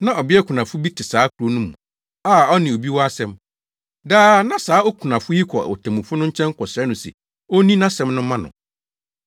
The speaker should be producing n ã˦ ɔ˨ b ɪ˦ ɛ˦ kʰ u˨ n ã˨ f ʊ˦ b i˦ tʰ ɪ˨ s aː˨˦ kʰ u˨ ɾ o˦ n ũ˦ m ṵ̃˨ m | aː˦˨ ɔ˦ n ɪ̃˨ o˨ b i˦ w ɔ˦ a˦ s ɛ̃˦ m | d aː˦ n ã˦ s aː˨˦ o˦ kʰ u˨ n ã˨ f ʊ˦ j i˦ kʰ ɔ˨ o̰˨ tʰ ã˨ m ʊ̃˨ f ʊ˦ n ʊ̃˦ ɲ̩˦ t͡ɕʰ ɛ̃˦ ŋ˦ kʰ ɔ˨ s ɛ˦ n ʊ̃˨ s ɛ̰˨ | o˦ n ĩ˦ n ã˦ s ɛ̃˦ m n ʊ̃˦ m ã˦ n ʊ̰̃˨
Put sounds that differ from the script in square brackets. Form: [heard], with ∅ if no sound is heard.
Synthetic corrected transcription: n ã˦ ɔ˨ b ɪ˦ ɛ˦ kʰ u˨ n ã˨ f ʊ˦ b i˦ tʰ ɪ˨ s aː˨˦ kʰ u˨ ɾ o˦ n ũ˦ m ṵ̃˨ [∅] | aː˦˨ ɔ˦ n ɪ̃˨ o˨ b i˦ w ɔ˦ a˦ s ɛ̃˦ m | d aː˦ n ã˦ s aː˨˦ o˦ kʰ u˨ n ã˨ f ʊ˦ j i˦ kʰ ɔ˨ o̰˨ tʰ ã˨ m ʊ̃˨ f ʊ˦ n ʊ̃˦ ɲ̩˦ t͡ɕʰ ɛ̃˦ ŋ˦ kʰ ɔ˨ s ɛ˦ n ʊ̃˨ s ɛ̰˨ | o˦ n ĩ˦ n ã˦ s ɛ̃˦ m n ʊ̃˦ m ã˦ n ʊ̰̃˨

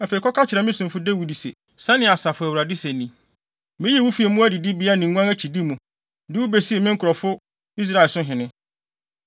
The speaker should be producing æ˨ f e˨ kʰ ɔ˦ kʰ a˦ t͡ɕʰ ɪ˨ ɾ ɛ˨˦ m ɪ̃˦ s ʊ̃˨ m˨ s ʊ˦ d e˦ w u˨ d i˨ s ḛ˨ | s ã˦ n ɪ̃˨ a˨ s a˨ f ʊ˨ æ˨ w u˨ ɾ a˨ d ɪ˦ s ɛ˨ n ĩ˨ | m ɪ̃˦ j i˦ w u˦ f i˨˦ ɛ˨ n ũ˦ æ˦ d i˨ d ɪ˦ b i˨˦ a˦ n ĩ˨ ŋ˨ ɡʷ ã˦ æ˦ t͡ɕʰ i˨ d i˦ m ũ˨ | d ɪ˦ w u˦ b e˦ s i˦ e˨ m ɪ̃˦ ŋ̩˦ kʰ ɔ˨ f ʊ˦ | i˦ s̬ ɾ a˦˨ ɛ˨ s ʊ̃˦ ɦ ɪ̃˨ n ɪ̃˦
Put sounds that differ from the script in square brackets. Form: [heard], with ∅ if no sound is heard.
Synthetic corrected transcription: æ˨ f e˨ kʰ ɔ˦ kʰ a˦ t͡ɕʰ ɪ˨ ɾ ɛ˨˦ m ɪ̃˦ s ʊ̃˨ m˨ [f] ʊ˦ d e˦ w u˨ d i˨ s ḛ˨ | s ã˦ n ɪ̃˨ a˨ s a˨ f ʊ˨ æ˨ w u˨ ɾ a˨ d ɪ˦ s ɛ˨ n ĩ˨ | m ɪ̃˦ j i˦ w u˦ f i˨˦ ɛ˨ [m] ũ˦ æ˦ d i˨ d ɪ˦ b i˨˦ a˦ n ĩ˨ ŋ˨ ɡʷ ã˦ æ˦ t͡ɕʰ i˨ d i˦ m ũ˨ | d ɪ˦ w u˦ b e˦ s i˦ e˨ m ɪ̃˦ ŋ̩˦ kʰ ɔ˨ f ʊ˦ | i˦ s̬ ɾ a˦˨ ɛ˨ s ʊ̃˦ ɦ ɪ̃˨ n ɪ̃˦

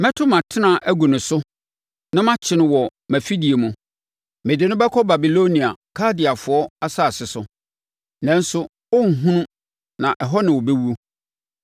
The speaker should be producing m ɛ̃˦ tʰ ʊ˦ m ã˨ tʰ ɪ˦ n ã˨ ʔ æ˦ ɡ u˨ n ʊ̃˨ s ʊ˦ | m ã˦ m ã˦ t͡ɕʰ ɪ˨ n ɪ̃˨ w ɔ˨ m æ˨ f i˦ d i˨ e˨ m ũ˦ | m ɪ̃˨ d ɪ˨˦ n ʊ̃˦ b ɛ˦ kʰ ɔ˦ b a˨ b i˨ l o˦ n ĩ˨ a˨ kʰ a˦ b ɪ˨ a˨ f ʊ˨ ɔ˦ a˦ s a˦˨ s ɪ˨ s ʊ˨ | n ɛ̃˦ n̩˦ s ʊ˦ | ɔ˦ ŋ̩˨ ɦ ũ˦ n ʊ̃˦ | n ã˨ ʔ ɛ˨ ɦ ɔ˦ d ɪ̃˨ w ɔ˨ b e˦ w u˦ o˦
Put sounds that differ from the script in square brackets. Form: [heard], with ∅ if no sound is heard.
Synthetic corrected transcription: m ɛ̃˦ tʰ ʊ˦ m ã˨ tʰ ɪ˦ n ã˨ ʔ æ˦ ɡ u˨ n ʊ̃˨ s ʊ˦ | [n] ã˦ m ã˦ t͡ɕʰ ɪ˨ n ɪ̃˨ w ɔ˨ m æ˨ f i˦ d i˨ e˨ m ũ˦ | m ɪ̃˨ d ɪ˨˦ n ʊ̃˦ b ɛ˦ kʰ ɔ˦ b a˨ b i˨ l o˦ n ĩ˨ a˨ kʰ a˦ [d] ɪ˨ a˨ f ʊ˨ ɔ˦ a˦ s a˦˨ s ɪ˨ s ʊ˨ | n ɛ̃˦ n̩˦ s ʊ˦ | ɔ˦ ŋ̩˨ ɦ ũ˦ n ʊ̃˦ | n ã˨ ʔ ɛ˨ ɦ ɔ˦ [n] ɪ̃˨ w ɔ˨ b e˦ w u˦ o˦

